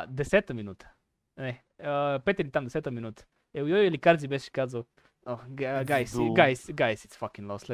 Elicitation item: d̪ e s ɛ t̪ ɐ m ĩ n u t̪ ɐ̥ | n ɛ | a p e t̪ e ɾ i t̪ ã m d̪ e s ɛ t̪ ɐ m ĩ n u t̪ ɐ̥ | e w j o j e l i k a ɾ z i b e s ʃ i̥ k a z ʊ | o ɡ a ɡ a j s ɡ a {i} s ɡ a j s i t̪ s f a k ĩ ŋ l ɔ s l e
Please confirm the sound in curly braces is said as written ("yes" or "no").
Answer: no